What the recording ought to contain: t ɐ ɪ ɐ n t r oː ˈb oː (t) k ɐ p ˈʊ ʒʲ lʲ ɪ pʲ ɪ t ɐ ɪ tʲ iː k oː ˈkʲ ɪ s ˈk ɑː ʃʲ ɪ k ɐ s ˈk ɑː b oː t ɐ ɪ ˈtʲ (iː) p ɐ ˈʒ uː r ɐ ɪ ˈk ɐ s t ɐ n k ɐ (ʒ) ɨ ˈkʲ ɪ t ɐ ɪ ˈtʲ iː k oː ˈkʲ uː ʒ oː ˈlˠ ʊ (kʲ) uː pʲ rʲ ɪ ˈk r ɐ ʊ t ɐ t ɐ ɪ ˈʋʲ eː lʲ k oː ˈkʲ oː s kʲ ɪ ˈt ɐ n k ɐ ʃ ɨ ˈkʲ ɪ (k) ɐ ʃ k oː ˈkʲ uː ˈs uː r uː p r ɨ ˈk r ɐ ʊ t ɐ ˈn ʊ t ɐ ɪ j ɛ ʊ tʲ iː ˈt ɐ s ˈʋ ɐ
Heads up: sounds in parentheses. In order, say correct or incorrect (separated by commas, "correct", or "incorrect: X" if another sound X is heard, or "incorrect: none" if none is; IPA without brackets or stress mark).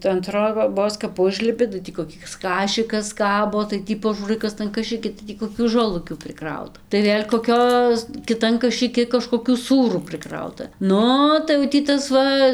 incorrect: s, correct, incorrect: ʃ, correct, correct